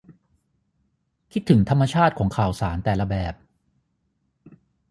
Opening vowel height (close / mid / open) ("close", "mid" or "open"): close